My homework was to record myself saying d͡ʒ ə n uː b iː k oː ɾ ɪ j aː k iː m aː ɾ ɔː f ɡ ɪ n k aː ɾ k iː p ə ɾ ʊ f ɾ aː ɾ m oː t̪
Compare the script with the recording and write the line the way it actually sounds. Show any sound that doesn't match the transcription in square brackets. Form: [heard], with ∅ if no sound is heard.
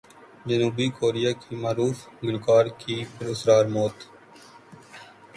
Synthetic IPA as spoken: d͡ʒ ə n uː b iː k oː ɾ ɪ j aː k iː m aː ɾ [uː] f ɡ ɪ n k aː ɾ k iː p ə ɾ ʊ [s] ɾ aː ɾ m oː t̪